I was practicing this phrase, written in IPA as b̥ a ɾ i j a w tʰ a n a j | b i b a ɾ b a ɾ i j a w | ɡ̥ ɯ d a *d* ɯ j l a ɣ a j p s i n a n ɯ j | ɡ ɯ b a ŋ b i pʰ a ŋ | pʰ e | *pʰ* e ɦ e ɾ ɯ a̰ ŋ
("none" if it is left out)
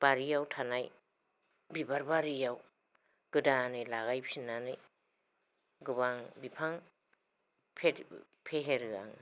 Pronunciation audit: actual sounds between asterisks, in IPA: n, pʰ

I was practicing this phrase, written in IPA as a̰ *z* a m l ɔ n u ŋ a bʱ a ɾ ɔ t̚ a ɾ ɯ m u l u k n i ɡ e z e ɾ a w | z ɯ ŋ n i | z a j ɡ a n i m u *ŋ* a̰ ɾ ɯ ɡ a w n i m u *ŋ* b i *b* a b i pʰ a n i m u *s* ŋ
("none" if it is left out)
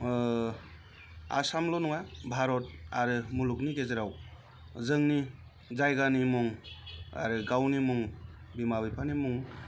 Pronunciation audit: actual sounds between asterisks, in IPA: s, ŋ, ŋ, m, none

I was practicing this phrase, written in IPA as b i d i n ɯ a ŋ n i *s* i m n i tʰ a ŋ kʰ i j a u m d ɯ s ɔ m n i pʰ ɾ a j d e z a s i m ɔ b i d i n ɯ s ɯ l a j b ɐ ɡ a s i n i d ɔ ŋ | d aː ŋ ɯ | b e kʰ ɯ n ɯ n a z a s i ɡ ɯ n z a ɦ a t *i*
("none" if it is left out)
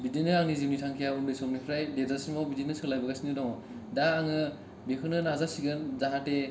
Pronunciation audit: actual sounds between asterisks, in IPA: z, e

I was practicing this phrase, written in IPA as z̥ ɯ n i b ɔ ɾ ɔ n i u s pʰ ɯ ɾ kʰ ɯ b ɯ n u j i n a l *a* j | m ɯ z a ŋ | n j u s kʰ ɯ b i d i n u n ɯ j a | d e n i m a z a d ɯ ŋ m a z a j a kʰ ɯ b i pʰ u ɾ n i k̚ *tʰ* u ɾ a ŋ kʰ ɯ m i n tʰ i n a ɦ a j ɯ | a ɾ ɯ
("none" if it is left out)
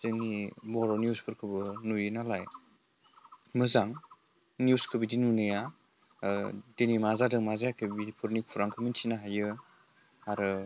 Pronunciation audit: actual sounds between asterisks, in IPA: a, pʰ

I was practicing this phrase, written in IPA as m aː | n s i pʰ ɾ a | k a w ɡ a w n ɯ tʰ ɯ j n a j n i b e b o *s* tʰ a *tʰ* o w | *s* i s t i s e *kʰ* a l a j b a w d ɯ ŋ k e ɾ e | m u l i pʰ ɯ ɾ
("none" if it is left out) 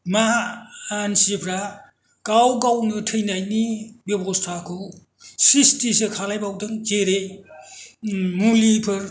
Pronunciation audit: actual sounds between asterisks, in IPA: s, kʰ, s, kʰ

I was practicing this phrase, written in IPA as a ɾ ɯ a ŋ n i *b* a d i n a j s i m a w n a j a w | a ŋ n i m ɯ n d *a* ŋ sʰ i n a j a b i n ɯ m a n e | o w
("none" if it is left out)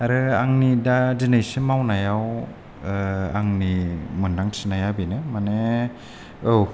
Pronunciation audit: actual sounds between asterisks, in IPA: d, a

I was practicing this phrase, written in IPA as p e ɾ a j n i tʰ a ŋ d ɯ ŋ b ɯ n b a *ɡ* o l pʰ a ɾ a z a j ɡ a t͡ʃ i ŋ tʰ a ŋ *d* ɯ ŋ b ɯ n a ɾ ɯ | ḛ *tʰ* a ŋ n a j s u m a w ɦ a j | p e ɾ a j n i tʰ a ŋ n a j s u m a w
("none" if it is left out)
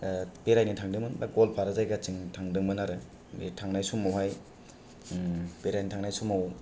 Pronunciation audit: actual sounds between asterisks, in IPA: ɡ, d, tʰ

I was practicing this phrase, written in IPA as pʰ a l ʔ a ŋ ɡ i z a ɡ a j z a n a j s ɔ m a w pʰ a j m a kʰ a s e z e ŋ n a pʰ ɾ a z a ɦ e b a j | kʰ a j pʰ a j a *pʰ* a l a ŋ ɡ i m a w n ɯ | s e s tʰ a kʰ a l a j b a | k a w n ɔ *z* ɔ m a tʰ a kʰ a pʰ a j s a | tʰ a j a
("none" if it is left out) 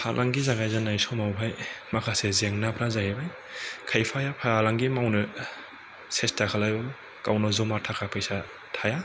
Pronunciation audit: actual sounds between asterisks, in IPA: pʰ, z

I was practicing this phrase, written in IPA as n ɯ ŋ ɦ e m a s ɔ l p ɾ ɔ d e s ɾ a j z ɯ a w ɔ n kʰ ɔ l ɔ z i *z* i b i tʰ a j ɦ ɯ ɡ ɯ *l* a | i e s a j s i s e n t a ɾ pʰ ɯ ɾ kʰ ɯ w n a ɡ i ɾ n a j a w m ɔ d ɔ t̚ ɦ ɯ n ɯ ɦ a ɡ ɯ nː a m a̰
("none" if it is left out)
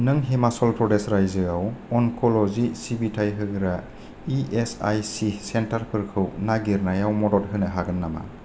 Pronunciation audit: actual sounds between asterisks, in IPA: s, ɾ

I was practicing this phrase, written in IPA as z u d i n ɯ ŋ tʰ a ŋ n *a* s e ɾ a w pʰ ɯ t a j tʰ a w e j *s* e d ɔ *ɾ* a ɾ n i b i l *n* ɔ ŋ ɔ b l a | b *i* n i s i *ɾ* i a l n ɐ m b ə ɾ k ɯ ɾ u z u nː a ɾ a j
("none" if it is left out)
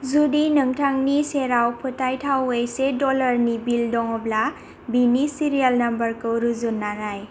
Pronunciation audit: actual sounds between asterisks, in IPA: i, s, l, d, i, ɾ

